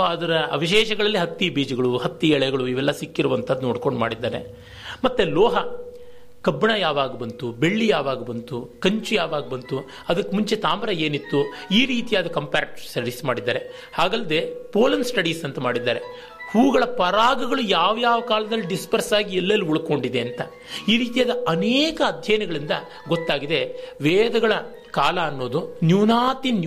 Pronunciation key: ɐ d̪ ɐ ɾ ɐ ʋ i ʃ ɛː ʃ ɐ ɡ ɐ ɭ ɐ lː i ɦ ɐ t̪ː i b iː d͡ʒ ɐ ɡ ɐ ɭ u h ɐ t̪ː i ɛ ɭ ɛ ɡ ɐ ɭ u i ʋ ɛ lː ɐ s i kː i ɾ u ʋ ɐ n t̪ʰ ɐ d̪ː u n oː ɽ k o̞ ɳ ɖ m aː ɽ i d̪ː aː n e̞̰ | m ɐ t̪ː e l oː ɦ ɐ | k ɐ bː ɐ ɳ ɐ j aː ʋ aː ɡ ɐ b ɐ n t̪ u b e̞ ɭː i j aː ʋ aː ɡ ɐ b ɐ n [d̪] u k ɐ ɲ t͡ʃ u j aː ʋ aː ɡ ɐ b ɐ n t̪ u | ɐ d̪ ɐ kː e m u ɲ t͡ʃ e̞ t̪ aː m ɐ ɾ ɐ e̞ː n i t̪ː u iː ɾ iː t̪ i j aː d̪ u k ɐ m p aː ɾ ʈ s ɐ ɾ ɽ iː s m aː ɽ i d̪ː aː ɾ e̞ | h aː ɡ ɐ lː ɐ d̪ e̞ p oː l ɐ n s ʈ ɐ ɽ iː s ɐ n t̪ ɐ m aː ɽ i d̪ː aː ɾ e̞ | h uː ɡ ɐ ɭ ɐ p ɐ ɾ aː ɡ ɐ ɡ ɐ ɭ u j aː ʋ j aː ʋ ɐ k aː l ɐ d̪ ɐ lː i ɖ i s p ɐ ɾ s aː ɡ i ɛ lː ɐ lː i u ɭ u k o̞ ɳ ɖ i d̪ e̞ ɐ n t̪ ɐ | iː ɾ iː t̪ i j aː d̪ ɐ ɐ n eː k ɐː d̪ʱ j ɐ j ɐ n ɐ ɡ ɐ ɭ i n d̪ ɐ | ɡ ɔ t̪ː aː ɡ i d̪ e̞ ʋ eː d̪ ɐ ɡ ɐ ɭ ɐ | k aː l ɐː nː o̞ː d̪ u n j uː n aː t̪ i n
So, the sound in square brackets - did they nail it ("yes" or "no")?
no